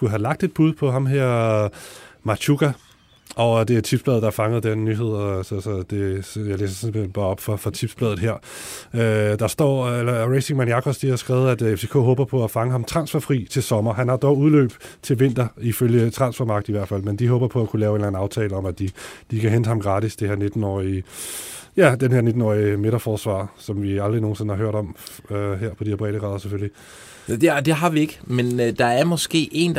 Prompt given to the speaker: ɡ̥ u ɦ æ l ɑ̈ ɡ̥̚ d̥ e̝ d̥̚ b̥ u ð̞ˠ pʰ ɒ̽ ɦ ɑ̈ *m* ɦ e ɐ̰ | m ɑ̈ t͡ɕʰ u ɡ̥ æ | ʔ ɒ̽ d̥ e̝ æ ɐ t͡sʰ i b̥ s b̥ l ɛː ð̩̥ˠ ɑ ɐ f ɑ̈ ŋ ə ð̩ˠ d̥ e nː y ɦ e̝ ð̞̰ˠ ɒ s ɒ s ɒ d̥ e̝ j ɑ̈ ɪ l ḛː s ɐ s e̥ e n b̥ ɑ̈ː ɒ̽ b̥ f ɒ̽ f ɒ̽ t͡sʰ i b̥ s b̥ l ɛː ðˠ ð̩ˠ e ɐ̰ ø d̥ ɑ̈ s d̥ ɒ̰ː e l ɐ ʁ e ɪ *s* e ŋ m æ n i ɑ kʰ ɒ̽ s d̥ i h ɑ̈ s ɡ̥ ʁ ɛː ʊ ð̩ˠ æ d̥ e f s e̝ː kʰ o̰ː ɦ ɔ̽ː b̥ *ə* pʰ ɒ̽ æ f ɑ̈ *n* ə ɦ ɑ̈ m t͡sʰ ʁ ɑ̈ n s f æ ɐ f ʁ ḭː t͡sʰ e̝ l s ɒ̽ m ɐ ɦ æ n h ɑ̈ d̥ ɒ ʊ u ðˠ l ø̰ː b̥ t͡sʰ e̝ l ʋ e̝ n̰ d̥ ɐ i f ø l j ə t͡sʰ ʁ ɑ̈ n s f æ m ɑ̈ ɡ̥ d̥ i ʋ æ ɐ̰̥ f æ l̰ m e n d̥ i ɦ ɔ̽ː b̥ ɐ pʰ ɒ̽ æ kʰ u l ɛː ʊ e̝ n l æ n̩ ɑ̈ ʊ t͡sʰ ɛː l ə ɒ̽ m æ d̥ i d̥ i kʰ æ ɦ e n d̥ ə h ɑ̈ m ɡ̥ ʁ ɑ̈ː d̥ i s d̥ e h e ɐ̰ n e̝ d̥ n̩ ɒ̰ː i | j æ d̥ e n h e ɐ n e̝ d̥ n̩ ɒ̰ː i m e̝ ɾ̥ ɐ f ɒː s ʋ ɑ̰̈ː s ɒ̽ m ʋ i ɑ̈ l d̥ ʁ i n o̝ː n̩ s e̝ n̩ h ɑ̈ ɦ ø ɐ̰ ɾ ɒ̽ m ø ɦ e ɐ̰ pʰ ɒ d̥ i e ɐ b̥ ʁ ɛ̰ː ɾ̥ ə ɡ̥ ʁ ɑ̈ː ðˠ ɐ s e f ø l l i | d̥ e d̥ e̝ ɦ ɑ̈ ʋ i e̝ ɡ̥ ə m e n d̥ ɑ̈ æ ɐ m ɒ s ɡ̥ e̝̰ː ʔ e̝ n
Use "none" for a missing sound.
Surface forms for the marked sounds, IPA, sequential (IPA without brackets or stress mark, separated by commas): m, s, ɐ, ŋ